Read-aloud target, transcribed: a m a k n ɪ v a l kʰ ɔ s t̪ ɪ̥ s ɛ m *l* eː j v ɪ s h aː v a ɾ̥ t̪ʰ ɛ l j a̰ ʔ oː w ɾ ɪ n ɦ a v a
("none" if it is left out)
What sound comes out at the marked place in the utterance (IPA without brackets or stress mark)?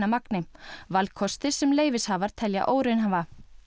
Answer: l